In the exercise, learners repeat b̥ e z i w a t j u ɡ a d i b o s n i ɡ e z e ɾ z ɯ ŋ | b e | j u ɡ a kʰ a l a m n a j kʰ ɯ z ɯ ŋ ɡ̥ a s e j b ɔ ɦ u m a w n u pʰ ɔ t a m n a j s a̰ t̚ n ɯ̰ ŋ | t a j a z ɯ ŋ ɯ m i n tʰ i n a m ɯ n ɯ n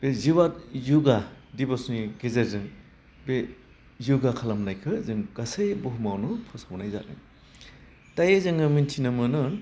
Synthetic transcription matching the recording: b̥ e z i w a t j u ɡ a d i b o s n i ɡ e z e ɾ z ɯ ŋ | b e | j u ɡ a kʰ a l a m n a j kʰ ɯ z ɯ ŋ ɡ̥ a s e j b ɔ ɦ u m a w n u pʰ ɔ s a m n a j z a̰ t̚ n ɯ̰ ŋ | t a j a z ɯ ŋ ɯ m i n tʰ i n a m ɯ n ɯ n